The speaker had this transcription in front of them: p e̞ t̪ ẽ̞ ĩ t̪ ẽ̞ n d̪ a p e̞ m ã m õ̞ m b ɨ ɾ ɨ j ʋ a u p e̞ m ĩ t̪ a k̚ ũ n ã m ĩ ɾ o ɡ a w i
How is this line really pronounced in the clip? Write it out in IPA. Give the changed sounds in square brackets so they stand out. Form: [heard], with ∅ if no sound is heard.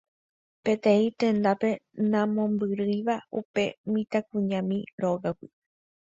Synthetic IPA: p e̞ t̪ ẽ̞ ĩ t̪ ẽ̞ n d̪ a p e̞ [n] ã m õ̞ m b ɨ ɾ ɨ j ʋ a u p e̞ m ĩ t̪ a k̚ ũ [ɲ] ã m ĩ ɾ o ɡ a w i